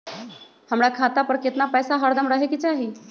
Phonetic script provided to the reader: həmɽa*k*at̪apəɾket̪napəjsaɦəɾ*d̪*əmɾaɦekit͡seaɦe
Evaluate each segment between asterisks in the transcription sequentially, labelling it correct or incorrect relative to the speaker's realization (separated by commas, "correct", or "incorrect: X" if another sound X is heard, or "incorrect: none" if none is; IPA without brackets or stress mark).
incorrect: kʰ, correct